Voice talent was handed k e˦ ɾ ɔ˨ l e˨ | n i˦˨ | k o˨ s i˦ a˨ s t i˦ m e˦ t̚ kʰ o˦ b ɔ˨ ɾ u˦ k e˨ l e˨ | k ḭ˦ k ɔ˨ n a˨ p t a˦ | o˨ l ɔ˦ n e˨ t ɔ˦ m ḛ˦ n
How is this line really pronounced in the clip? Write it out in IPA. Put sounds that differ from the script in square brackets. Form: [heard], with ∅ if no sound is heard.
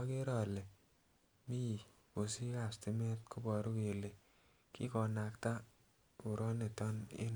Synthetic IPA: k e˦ ɾ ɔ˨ l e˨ | [m] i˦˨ | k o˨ s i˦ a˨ s t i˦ m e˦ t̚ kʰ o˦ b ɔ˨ ɾ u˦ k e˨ l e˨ | k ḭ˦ k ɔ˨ n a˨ [k] t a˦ | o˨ [ɾ] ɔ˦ n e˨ t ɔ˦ [n] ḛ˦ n